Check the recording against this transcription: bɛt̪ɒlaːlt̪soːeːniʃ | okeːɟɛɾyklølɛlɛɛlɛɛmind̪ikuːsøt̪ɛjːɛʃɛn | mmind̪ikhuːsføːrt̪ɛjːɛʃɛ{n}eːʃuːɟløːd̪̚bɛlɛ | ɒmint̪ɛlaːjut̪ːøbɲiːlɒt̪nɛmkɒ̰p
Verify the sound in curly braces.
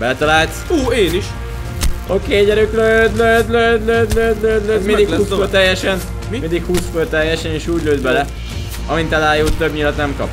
correct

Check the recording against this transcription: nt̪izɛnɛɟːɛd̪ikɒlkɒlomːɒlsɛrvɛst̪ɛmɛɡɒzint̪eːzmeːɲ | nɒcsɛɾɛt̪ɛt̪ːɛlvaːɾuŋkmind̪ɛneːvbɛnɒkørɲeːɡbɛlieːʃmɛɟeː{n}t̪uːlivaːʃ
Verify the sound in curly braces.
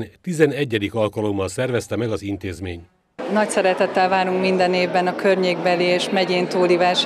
correct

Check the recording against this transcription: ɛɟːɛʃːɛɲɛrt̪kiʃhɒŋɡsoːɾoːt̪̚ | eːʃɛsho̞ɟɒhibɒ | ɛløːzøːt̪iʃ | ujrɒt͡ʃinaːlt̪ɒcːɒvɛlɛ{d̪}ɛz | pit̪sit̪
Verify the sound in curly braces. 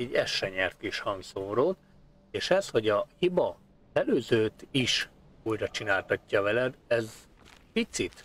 correct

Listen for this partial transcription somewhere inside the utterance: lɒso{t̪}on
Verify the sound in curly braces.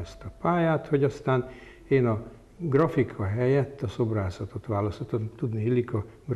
correct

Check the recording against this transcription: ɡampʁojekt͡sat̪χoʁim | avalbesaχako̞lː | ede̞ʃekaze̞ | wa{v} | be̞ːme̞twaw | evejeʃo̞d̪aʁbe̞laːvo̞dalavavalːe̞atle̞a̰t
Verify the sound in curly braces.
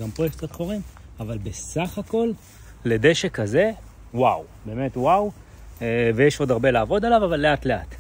incorrect: w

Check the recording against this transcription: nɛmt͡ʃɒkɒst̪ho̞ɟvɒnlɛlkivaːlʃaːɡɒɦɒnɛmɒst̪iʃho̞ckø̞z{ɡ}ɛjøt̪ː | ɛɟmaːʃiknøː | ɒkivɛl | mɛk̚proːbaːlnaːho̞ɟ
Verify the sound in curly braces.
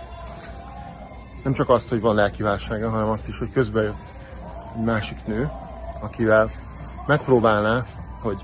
incorrect: b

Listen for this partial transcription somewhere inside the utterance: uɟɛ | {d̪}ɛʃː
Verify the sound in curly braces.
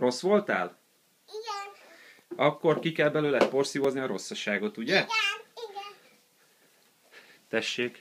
incorrect: t̪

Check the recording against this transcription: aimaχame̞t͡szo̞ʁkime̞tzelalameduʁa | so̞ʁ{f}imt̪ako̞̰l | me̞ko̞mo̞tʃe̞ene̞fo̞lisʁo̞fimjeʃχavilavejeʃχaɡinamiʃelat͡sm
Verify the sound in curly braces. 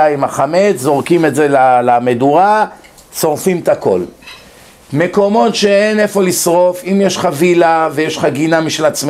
correct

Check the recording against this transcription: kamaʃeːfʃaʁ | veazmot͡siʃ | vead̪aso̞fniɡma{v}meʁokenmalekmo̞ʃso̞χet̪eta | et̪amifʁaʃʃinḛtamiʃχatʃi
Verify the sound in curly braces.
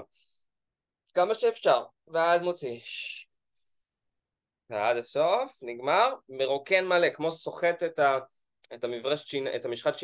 incorrect: ʁ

